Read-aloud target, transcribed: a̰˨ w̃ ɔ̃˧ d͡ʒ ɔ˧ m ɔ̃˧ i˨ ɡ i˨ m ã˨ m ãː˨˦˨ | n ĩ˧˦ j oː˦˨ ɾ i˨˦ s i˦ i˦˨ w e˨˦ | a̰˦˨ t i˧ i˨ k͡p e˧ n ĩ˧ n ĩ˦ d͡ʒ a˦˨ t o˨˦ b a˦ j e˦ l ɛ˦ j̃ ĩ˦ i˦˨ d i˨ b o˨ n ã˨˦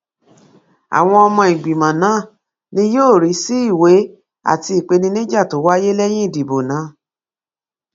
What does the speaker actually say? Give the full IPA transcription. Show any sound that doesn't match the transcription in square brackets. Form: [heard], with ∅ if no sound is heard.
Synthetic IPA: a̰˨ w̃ ɔ̃˧ [∅] ɔ˧ m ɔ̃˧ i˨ [ɡ͡b] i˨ m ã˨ [n] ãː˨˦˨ | n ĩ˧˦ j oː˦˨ ɾ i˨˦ s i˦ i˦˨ w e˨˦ | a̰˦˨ t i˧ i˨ k͡p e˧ n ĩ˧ n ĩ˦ d͡ʒ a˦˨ t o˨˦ [w] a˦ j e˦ l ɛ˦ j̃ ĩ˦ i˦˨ d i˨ b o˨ n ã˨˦